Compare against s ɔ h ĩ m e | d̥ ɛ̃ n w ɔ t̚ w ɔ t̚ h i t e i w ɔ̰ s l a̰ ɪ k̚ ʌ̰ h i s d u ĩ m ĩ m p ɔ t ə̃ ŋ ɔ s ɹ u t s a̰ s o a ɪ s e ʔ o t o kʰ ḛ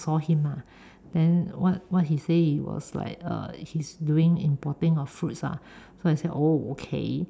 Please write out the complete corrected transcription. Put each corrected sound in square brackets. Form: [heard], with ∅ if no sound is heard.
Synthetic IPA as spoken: s ɔ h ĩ m [a] | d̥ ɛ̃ n w ɔ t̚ w ɔ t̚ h i [s] e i w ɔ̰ s l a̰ ɪ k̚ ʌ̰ h i s d u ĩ [ŋ] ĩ m p ɔ t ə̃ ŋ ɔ [f] ɹ u t s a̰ s o a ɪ s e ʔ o [∅] o kʰ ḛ